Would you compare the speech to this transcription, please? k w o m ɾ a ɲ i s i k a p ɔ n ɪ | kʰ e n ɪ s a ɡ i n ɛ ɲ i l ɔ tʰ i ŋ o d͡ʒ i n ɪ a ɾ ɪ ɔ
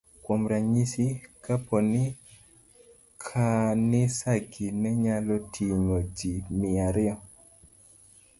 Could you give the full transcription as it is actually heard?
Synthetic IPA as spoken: k w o m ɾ a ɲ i s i k a p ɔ n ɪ | kʰ a n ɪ s a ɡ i n ɛ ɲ a l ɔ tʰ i ŋ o d͡ʒ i m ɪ a ɾ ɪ ɔ